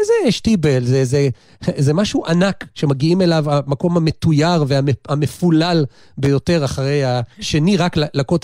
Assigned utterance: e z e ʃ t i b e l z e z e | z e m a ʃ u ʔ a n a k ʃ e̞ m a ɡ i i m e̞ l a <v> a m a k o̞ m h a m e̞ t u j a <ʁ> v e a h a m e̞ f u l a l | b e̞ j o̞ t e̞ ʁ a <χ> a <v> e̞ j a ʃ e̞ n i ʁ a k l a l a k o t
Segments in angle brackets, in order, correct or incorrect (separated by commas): correct, correct, correct, incorrect